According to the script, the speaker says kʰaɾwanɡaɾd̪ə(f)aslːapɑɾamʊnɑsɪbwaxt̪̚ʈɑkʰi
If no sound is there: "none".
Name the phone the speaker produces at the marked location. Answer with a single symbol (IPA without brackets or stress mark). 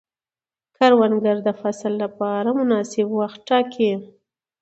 f